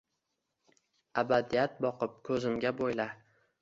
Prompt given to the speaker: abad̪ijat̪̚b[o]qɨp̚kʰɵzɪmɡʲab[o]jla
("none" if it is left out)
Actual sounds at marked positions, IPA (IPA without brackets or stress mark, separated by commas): ɒ, o